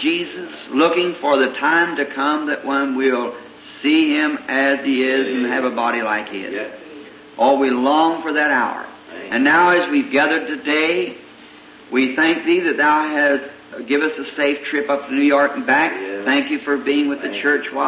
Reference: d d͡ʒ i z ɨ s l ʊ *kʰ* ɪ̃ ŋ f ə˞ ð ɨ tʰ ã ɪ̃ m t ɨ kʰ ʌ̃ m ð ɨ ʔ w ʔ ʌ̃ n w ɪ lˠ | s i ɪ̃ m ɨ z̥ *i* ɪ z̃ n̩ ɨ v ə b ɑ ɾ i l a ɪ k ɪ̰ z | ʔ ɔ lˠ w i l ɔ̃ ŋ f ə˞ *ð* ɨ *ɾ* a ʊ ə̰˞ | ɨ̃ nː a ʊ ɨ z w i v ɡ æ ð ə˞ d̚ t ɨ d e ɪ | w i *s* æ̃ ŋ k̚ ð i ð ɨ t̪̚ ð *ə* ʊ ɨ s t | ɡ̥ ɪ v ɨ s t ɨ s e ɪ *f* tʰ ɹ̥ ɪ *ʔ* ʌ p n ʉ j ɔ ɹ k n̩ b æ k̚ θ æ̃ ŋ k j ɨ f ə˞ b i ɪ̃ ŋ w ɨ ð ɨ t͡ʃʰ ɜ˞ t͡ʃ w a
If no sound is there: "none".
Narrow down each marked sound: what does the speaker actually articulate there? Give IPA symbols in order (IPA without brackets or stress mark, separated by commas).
k, i, ð, ɾ, θ, a, f, p